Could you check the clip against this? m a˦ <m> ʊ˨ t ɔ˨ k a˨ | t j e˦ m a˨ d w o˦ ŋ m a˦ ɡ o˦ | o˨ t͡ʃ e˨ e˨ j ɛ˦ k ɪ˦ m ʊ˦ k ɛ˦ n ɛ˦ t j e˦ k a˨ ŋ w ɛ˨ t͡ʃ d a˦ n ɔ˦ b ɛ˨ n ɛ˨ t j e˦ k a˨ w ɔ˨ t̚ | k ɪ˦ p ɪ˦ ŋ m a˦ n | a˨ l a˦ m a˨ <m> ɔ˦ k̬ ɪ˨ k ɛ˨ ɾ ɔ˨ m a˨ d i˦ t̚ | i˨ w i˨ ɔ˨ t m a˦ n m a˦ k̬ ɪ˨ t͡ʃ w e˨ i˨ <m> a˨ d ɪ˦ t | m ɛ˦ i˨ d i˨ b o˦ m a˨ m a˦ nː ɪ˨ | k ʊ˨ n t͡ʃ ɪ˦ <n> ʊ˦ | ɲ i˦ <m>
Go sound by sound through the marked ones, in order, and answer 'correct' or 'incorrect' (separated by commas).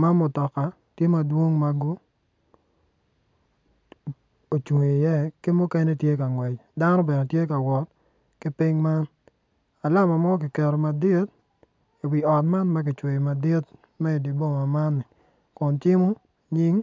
correct, correct, correct, incorrect, incorrect